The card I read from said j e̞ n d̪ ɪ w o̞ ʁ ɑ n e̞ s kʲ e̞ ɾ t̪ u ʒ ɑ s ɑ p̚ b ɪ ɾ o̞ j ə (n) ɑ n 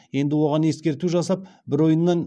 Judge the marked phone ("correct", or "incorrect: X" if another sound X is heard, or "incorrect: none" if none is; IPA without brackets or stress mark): incorrect: nː